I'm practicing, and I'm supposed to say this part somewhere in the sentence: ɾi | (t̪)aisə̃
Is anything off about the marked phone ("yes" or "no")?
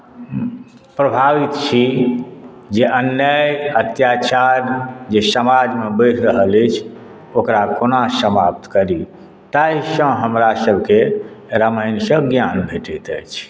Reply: no